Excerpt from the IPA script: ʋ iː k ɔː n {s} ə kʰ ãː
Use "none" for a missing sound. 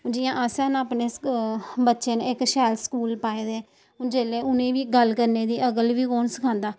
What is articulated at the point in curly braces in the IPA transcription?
s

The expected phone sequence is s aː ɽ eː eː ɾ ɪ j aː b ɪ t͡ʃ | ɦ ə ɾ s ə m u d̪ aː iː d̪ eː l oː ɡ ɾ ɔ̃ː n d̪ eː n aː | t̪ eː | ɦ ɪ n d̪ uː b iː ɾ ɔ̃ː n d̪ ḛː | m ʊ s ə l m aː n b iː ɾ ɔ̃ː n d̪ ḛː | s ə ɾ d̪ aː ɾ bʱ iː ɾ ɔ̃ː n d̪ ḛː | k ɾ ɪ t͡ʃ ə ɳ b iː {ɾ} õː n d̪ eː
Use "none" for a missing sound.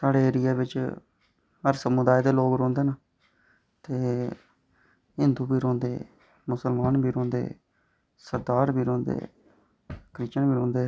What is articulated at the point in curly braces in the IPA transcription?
ɾ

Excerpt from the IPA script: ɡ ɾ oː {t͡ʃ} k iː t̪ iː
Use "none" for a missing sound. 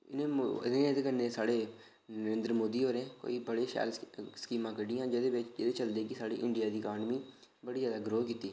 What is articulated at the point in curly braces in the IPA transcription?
none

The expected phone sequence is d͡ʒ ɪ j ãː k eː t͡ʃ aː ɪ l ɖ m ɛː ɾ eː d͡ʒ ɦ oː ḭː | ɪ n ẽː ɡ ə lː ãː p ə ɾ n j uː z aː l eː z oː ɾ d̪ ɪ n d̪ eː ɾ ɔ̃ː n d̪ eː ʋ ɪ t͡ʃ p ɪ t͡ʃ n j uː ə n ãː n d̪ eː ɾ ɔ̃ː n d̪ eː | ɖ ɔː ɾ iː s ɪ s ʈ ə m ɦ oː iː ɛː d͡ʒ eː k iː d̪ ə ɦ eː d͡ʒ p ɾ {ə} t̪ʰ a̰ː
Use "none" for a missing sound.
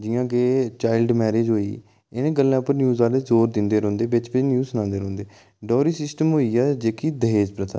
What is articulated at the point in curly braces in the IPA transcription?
ə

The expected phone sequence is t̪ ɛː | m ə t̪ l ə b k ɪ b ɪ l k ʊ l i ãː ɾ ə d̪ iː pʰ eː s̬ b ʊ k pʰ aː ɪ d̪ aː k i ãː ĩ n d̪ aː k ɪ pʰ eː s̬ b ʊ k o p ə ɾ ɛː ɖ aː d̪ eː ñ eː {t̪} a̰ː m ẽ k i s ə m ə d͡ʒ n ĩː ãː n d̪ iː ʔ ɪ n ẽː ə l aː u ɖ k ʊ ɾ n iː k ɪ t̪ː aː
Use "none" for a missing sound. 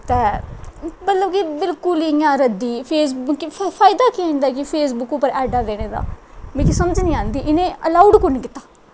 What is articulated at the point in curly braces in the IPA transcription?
d̪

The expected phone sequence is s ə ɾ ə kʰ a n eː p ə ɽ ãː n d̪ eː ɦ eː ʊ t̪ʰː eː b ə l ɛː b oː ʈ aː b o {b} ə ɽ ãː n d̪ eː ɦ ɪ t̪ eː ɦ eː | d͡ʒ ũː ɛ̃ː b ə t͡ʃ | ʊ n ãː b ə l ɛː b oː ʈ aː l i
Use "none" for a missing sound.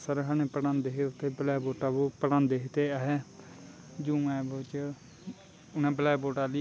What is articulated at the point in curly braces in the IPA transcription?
p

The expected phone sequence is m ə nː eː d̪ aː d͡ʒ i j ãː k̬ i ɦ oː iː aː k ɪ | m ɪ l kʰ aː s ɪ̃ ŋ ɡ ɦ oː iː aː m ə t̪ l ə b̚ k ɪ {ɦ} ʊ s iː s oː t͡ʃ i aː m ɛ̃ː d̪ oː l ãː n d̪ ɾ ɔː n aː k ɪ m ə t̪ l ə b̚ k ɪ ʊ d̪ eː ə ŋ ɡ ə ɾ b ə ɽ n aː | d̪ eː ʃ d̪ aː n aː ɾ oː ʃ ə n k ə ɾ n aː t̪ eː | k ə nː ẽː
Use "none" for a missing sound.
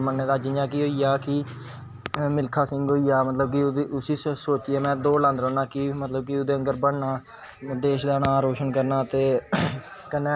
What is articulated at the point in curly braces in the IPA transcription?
none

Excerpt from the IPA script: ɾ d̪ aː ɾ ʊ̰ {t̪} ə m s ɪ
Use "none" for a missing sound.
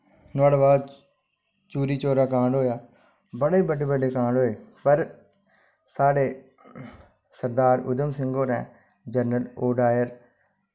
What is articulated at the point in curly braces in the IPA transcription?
d̪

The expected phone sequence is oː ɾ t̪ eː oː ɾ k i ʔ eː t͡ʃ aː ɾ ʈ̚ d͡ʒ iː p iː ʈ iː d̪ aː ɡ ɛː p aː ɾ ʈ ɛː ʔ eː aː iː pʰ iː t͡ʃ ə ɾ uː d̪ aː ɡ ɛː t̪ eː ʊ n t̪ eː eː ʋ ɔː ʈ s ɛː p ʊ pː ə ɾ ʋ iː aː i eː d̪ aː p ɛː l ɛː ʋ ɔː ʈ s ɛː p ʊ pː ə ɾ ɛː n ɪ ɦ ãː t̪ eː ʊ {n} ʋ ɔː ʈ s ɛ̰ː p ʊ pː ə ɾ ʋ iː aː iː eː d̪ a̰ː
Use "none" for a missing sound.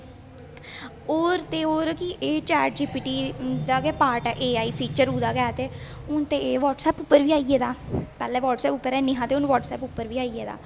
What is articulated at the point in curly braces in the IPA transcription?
n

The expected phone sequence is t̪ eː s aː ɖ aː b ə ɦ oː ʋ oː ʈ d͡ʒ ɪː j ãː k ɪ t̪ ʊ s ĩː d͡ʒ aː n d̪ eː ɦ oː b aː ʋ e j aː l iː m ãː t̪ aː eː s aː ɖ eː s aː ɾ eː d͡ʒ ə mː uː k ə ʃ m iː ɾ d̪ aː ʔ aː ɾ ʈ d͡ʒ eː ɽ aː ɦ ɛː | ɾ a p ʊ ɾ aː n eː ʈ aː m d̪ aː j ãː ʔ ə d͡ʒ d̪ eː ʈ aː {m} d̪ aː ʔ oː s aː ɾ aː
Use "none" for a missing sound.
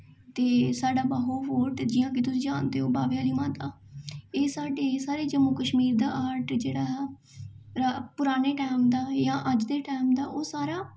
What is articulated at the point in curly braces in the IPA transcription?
m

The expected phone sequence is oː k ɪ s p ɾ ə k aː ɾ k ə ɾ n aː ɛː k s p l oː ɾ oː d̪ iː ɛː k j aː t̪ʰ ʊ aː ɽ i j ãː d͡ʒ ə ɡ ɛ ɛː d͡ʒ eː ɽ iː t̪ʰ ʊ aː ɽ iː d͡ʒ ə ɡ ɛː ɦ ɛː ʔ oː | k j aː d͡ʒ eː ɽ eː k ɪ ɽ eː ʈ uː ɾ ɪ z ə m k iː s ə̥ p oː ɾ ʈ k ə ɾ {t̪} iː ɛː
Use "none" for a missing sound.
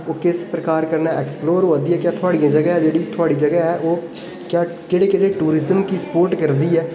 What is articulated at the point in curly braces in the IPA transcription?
d̪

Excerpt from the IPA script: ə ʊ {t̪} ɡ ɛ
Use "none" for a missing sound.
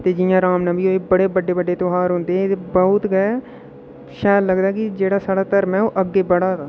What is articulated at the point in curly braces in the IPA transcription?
t̪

